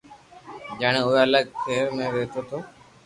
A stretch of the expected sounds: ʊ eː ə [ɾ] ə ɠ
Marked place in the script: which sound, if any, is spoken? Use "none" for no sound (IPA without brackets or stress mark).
l